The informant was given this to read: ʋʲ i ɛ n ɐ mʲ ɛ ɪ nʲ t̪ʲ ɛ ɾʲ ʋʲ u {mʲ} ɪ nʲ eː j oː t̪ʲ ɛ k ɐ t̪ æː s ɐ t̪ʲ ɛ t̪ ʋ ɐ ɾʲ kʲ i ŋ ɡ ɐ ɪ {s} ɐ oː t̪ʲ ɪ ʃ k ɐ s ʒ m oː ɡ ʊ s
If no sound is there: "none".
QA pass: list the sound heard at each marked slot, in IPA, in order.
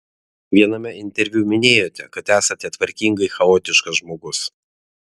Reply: mʲ, x

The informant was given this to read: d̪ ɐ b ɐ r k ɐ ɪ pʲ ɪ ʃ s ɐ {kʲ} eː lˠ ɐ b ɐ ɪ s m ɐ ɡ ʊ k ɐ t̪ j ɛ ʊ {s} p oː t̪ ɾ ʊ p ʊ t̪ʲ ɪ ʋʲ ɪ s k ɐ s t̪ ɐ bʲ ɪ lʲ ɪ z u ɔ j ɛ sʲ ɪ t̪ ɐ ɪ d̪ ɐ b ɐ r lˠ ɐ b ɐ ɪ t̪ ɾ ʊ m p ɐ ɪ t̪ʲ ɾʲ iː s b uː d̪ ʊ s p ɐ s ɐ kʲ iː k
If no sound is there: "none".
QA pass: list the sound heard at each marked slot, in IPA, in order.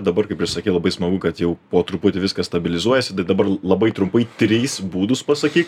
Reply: kʲ, none

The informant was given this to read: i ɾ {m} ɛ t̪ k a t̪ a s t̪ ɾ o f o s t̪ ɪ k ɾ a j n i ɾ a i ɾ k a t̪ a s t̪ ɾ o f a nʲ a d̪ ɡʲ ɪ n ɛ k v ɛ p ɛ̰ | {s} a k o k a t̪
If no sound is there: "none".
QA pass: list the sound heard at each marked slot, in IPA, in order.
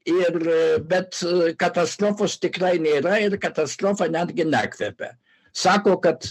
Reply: b, s

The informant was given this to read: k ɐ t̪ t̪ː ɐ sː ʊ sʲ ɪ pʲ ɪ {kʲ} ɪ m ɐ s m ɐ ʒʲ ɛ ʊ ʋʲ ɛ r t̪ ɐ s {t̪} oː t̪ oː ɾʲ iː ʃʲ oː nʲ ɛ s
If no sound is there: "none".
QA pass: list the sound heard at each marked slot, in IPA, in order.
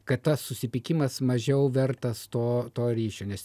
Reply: kʲ, t̪

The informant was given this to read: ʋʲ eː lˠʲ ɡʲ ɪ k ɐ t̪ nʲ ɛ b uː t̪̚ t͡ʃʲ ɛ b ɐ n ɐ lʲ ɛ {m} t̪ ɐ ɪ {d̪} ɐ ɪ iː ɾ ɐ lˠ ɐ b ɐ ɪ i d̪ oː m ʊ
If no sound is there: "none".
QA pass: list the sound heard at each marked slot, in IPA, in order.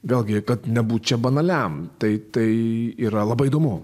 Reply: m, t̪

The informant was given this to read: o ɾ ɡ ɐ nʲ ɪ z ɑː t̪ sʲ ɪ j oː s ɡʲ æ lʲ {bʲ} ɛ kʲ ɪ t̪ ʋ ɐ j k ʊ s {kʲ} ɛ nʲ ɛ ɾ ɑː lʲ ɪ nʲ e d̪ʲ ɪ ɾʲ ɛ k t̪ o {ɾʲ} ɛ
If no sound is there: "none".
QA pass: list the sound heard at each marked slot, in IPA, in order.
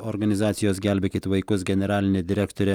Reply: bʲ, ɡʲ, ɾʲ

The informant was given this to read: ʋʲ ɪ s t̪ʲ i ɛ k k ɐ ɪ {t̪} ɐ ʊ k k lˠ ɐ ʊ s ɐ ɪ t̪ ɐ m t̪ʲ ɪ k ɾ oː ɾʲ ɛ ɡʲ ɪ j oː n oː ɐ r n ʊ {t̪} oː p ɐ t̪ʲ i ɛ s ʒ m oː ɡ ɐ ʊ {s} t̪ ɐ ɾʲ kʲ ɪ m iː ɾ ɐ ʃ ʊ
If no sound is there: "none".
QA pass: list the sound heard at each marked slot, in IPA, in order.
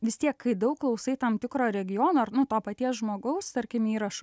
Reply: d̪, t̪, s

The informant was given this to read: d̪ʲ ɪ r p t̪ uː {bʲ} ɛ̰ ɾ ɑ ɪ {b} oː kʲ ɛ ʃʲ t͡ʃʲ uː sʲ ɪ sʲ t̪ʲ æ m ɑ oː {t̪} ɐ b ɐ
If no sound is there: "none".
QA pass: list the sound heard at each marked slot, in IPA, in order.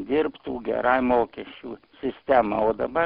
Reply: ɡʲ, m, d̪

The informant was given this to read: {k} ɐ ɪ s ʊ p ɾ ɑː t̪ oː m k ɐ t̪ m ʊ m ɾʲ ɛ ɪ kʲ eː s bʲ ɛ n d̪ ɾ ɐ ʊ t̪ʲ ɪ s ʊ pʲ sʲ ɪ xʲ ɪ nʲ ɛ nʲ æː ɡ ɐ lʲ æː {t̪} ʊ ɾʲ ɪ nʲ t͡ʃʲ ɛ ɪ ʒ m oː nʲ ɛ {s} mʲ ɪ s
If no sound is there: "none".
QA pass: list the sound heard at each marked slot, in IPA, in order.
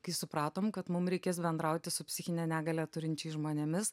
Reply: k, t̪, none

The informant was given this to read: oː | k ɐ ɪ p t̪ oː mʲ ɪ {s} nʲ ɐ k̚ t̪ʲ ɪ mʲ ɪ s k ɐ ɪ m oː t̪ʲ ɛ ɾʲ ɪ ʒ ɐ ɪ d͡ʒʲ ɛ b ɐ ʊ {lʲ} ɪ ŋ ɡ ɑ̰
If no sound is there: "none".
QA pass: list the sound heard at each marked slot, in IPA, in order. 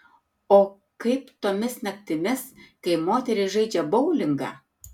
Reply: s, lʲ

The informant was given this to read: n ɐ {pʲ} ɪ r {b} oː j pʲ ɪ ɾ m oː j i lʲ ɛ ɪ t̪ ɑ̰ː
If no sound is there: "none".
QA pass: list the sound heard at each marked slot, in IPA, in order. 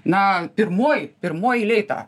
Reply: pʲ, m

